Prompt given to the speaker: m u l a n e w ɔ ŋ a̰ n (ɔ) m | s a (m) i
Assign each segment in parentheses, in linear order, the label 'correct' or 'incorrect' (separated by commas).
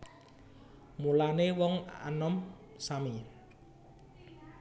correct, correct